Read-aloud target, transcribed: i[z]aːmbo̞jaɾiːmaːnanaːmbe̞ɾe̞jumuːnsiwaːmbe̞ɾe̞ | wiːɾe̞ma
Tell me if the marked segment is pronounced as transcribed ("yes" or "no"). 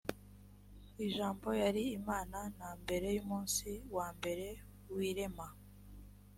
no